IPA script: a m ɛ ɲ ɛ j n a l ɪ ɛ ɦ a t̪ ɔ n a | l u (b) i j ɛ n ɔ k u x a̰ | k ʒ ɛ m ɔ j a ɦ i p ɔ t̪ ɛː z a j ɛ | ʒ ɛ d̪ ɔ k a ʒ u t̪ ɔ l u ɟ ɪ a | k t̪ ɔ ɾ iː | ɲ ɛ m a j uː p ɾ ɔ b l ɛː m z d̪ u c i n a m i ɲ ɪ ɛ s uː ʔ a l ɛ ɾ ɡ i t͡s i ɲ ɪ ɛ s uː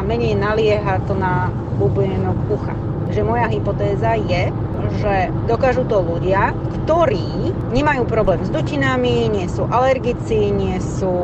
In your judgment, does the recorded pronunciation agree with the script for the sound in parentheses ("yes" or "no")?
yes